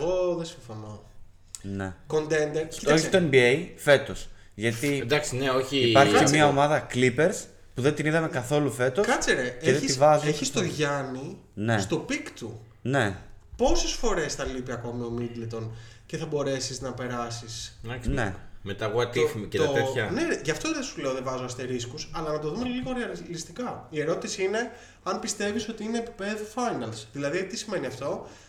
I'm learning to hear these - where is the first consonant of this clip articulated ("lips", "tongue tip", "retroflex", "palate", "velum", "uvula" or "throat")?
velum